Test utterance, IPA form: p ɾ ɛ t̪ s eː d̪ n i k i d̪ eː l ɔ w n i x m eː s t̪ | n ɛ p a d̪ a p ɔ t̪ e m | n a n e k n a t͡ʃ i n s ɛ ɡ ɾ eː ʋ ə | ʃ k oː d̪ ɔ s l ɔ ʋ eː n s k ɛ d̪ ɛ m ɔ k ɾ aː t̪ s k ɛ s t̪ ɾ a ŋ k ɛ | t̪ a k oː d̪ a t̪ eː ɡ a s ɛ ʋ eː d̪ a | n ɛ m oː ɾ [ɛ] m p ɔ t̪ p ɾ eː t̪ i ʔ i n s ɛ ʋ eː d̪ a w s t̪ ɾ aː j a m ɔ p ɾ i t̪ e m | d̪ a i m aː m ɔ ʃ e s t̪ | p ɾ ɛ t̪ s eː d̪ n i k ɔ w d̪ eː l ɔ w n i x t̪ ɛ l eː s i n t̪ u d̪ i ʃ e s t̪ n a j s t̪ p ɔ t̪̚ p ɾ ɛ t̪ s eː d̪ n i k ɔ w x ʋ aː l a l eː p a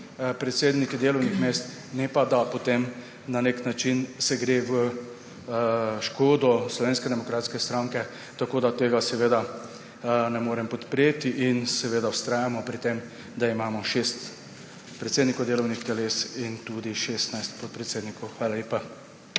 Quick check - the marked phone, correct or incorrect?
correct